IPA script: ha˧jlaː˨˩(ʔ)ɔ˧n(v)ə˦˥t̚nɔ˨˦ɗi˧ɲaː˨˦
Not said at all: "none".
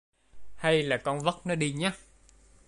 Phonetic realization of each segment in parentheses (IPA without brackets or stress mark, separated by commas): k, v